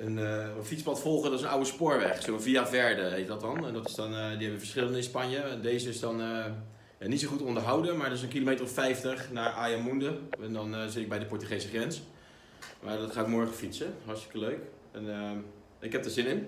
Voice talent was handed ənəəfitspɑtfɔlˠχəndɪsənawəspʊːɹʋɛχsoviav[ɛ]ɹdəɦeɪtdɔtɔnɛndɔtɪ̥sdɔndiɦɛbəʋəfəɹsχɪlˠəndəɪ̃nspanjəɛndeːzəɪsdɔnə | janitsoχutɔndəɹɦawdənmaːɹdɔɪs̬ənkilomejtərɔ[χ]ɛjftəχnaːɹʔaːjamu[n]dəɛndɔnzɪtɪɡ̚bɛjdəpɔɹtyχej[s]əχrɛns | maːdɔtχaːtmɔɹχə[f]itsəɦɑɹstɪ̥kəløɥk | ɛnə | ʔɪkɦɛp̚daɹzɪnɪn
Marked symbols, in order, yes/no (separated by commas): yes, no, yes, yes, yes